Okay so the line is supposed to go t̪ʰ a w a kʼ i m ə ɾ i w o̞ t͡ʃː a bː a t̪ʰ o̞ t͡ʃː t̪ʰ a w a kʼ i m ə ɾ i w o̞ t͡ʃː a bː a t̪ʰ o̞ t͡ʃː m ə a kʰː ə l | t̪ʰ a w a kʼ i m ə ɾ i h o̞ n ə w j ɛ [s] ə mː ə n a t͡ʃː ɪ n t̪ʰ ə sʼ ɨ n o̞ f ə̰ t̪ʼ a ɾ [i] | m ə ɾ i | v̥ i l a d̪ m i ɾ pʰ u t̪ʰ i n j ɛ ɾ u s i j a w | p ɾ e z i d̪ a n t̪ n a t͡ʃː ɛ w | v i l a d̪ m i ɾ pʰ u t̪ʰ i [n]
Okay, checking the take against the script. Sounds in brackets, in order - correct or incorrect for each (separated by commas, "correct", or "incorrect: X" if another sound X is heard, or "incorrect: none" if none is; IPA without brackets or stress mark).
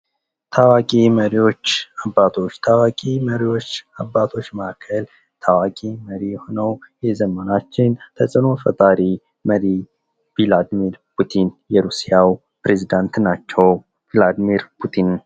incorrect: z, correct, correct